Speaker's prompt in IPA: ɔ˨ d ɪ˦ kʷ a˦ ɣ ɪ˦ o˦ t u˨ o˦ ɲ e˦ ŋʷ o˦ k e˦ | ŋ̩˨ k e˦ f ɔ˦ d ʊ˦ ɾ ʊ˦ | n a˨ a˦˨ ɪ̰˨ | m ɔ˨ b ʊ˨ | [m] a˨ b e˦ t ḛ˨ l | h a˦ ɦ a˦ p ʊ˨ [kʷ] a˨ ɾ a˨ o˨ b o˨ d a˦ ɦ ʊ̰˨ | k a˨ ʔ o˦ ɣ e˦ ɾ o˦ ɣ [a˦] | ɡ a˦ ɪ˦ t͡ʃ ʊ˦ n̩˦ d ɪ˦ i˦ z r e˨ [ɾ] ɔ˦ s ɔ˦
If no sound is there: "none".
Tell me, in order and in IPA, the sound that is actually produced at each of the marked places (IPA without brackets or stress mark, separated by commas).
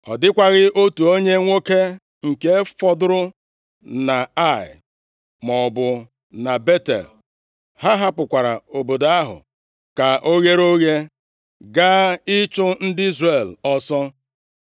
n, kʷ, e˦, l